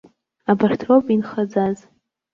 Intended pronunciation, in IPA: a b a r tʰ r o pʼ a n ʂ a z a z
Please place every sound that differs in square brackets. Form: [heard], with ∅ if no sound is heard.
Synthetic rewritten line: a b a r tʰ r o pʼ [i] n [χ] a [d͡z] a z

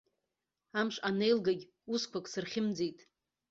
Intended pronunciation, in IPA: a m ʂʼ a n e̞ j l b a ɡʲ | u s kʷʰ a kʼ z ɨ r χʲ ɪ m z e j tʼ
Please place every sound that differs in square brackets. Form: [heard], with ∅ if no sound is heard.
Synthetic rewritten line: a m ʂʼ a n e̞ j l [ɡ] a ɡʲ | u s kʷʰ a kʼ [s] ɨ r χʲ ɪ m [d͡z] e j tʼ

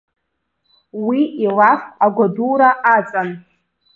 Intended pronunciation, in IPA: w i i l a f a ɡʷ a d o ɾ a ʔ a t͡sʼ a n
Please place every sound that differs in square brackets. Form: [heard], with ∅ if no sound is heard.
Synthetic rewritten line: w i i l a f a ɡʷ a d [u] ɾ a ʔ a t͡sʼ a n

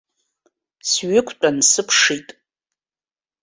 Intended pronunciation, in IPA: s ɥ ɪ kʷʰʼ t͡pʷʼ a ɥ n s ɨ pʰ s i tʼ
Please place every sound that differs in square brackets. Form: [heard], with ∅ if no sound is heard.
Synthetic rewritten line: s ɥ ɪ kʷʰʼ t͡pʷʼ a [∅] n s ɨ pʰ [ʂ] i tʼ

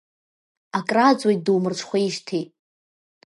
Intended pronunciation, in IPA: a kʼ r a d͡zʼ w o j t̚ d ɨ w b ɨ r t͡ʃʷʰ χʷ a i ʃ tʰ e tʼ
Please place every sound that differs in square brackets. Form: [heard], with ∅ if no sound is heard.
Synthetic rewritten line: a kʼ r a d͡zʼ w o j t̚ d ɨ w [m] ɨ r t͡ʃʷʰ χʷ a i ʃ tʰ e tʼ

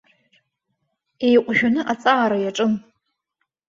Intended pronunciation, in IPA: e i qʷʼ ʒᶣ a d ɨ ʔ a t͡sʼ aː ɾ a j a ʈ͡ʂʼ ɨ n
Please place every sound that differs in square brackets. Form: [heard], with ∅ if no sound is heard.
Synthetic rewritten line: e [j] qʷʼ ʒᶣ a [n] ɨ ʔ a t͡sʼ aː ɾ a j a ʈ͡ʂʼ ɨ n

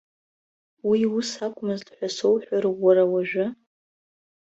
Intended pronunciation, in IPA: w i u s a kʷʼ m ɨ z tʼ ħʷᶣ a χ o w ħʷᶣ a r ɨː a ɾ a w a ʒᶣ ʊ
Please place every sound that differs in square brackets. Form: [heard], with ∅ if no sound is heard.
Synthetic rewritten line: w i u s a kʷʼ m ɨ z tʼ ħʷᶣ a [s] o w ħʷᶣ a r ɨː a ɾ a w a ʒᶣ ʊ

